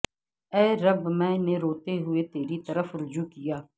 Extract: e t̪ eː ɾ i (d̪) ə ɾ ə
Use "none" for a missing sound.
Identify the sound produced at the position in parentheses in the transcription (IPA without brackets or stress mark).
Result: t̪